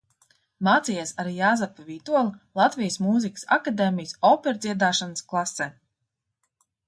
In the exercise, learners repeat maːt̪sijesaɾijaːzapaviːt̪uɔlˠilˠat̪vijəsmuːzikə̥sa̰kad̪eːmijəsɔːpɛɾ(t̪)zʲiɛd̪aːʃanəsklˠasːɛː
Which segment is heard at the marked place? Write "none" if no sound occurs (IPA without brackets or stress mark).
d̪